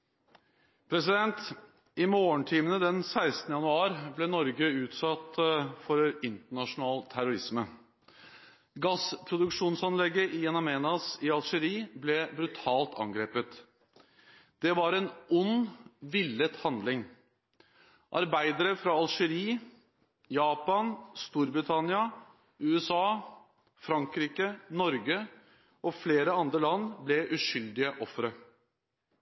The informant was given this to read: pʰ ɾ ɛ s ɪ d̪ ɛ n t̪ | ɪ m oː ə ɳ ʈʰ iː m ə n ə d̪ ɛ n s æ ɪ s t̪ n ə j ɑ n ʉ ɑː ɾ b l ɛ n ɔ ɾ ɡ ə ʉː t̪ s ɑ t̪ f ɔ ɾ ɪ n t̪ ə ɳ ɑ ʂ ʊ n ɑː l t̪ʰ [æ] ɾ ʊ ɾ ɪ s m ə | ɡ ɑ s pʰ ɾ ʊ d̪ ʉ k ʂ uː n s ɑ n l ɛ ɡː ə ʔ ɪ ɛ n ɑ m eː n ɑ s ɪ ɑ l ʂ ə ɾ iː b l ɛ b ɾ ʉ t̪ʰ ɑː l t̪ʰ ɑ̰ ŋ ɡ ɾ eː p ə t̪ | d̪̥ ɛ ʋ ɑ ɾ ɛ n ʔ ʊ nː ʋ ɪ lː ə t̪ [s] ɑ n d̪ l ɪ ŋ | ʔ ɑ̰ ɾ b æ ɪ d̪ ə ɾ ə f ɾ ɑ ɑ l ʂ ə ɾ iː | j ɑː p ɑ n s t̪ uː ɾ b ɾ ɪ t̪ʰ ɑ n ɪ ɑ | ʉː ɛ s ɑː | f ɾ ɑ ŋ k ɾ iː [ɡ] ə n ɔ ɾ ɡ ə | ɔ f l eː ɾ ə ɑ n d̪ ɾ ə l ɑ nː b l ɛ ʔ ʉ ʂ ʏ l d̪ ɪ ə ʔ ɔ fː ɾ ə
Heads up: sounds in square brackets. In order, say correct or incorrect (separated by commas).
correct, incorrect, incorrect